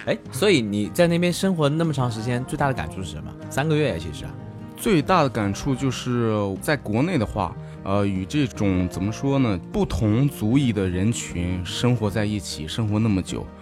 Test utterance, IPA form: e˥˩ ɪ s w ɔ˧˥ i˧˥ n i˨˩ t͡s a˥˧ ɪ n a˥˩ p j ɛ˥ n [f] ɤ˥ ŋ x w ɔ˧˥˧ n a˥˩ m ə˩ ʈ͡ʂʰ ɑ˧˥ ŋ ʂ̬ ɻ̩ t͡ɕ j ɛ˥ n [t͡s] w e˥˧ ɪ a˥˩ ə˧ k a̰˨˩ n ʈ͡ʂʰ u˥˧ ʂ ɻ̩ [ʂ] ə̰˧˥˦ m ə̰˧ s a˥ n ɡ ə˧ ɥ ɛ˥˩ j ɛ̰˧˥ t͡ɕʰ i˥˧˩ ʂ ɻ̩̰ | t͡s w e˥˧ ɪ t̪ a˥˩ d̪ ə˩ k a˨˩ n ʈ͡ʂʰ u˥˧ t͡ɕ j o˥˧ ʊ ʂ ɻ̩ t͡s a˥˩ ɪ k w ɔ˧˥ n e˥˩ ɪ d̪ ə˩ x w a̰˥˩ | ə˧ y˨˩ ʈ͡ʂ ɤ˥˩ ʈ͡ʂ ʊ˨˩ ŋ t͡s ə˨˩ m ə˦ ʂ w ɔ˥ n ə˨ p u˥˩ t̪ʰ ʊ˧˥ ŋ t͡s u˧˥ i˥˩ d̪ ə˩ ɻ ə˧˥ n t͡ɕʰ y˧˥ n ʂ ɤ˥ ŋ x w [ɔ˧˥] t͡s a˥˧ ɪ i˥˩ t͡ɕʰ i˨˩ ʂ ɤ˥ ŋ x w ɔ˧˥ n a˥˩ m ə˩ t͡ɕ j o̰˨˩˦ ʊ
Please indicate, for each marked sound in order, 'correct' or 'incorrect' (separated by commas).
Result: incorrect, correct, correct, correct